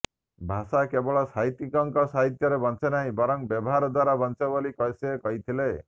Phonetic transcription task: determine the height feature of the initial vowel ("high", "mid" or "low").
low